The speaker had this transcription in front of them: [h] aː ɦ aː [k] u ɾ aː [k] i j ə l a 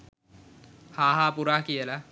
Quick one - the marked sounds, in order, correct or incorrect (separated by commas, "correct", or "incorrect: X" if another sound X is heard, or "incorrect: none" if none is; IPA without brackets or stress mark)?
correct, incorrect: p, correct